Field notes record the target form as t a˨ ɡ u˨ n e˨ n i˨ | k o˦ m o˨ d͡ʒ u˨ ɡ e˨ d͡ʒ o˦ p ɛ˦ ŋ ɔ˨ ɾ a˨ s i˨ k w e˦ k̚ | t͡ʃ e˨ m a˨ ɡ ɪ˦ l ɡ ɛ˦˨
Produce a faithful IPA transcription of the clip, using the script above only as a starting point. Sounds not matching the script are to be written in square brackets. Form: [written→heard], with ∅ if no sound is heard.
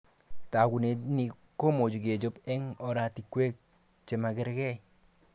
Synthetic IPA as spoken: t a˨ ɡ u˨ n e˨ n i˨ | k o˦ m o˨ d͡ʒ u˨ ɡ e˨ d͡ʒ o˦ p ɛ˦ ŋ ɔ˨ ɾ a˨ [s→t] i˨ k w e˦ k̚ | t͡ʃ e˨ m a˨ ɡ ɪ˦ [l→ɾ] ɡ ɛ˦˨